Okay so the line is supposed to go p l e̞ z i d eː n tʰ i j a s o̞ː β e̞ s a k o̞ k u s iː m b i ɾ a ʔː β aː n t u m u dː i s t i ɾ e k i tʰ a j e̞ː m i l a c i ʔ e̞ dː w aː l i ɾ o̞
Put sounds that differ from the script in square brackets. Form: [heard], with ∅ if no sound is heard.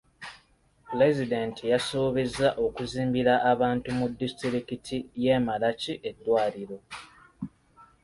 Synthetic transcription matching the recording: p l e̞ z i d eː n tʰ i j a s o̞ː β e̞ [z] a [ʔ] o̞ k u [z] iː m b i ɾ a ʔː β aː n t u m u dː i s t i ɾ [i] k i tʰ [i] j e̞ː m [a] l a c i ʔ e̞ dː w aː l i ɾ o̞

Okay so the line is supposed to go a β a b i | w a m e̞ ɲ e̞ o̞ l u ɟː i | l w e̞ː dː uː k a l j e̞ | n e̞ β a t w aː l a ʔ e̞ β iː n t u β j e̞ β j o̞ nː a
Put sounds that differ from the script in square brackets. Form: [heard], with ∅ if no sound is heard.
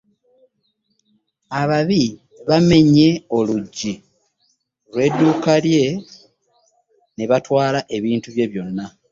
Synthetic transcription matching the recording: a β a [β] i | [β] a m e̞ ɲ e̞ o̞ l u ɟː i | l w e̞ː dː uː k a l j e̞ | n e̞ β a t w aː l a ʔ e̞ β iː n t u β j e̞ β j o̞ nː a

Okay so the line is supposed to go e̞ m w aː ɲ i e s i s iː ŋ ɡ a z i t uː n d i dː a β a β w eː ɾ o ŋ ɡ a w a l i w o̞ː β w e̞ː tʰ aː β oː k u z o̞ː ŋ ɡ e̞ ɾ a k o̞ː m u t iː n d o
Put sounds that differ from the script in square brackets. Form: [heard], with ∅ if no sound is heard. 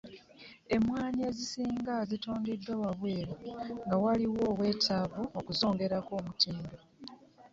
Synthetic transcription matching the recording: e̞ m w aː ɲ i e [z] i s iː ŋ ɡ a z i t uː n d i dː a [w] a β w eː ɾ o ŋ ɡ a w a l i w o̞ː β w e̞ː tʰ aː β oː k u z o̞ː ŋ ɡ e̞ ɾ a k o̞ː m u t iː n d o

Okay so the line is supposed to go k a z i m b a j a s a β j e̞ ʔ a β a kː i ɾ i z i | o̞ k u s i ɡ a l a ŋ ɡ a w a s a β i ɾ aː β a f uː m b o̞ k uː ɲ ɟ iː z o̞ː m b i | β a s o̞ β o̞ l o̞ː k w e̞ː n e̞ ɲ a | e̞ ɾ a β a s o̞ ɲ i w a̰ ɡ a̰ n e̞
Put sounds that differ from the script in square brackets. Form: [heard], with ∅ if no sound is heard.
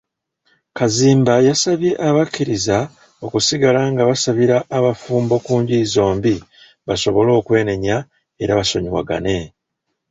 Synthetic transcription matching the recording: k a z [iː] m b a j a s a β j e̞ ʔ a β a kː i ɾ i z [a] | o̞ k u s i ɡ a l a ŋ ɡ a [β] a s a β i ɾ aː β a f uː m b o̞ k uː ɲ ɟ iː z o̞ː m b i | β a s o̞ β o̞ l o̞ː k w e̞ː n e̞ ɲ a | e̞ ɾ a β a s o̞ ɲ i w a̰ ɡ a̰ n e̞

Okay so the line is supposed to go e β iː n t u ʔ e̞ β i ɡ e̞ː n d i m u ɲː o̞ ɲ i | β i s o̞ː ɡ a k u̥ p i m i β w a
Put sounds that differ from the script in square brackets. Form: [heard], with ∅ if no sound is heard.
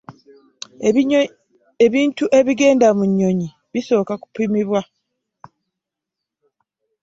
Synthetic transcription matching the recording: e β iː n t u ʔ e̞ β i ɡ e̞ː n d [a] m u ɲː o̞ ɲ i | β i s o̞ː [k] a k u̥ p i m i β w a

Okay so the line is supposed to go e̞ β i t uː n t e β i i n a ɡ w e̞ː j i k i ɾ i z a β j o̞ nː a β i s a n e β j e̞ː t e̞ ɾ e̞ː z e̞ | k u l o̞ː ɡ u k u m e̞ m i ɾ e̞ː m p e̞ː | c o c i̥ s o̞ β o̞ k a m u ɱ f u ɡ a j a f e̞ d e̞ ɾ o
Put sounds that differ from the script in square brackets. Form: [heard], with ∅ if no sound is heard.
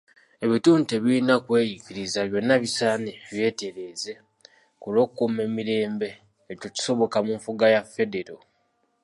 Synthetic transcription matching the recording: e̞ β i t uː n t e β i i n a [k] w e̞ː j i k i ɾ i z a β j o̞ nː a β i s a n e β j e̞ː t e̞ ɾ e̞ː z e̞ | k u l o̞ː [k] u k u m e̞ m i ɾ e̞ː m [b] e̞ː | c o c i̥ s o̞ β o̞ k a m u ɱ f u ɡ a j a f e̞ d e̞ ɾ o

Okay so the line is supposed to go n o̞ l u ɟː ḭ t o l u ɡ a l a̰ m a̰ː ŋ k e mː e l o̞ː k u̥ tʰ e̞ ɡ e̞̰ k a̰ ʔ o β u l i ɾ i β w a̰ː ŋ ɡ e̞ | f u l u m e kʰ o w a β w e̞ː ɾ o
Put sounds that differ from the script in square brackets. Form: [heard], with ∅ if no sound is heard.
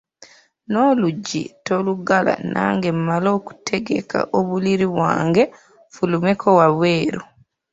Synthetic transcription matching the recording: n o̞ l u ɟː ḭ t o l u ɡ a l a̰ [n] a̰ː ŋ [ɡ] e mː [a] l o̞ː k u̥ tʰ e̞ ɡ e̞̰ k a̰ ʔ o β u l i ɾ i β w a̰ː ŋ ɡ e̞ | f u l u m e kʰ o w a β w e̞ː ɾ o

